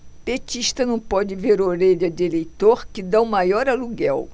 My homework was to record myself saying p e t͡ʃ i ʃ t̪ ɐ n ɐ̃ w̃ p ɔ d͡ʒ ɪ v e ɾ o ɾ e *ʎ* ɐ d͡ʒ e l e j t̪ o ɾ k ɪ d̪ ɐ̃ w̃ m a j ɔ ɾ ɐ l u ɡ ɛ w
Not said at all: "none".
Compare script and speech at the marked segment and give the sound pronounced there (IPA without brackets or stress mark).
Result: ʎ